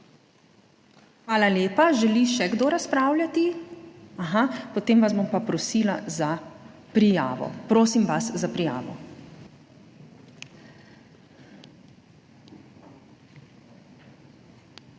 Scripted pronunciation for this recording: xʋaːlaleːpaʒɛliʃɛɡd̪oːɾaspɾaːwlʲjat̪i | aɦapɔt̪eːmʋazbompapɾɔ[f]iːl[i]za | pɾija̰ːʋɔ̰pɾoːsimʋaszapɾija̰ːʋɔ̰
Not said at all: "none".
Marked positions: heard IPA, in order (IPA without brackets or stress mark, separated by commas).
s, a